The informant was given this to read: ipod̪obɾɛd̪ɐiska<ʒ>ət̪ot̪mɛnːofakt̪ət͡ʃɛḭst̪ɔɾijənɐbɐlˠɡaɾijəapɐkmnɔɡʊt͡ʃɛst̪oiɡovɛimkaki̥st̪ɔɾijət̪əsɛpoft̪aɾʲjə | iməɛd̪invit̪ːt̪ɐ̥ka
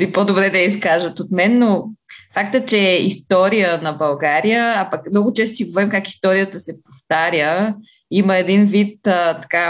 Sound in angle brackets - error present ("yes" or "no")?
no